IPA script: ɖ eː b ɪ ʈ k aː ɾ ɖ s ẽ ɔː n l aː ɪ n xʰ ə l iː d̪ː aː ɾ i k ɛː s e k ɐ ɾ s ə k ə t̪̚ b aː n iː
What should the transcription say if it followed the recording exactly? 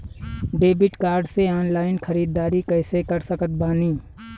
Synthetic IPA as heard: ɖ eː b ɪ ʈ k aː ɾ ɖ s e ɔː n l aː ɪ n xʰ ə ɾ iː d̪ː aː ɾ i k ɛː s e k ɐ ɾ s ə k ə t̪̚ b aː n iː